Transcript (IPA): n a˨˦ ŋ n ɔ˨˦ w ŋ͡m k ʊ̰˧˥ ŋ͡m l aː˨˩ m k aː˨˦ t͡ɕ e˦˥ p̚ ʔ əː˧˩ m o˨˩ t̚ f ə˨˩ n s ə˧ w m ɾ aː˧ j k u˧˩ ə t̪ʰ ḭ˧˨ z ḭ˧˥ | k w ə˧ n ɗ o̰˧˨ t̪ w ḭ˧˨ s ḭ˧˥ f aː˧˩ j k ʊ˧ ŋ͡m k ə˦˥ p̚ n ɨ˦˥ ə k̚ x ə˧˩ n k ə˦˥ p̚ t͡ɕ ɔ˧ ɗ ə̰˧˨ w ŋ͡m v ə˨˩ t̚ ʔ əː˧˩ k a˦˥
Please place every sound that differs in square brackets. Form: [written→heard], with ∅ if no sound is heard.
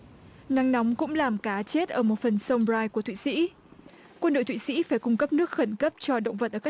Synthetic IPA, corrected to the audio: n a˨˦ ŋ n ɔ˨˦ w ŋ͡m k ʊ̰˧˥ ŋ͡m l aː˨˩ m k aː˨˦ t͡ɕ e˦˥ [p̚→t̚] ʔ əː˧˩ m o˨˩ t̚ f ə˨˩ n s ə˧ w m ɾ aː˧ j k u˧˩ ə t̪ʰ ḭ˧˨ [z→s] ḭ˧˥ | k w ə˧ n ɗ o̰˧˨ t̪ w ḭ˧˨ s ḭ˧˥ f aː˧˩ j k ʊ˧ ŋ͡m k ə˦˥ p̚ n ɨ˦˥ ə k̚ x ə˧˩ n k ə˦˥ p̚ t͡ɕ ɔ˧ ɗ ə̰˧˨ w ŋ͡m v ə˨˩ t̚ ʔ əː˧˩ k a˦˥